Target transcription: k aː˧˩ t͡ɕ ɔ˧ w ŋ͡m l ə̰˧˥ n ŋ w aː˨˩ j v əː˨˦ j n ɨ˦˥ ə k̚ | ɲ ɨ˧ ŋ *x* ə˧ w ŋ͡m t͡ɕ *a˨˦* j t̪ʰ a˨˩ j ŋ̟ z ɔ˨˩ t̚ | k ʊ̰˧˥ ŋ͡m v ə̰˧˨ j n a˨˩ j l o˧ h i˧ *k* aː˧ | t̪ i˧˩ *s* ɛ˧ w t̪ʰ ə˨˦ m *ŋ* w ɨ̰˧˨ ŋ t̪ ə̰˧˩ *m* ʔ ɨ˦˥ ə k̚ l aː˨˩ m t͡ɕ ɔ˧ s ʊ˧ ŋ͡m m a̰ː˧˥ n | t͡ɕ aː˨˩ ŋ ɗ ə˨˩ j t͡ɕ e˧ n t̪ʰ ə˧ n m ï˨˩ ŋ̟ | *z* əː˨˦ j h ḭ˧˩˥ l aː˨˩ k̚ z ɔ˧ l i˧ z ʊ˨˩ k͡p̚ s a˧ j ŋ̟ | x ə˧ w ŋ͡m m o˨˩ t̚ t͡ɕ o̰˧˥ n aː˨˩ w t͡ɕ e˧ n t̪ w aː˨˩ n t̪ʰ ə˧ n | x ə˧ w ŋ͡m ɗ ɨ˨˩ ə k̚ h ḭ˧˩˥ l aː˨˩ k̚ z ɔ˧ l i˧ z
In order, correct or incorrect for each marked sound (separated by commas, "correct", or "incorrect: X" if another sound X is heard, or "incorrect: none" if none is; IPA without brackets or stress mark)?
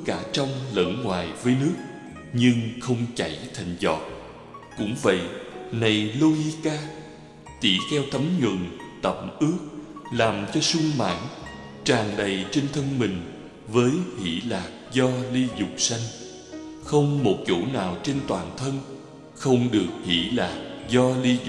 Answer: correct, incorrect: a˧˩, correct, incorrect: x, incorrect: ɲ, correct, incorrect: v